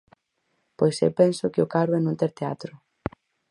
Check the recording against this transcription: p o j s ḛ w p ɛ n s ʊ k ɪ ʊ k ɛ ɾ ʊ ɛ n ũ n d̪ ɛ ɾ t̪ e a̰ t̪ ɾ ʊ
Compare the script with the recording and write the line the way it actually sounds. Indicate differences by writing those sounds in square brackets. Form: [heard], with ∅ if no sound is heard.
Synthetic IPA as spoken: p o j s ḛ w p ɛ n s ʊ k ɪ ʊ k [a] ɾ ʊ ɛ n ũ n [t̪] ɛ ɾ t̪ e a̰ t̪ ɾ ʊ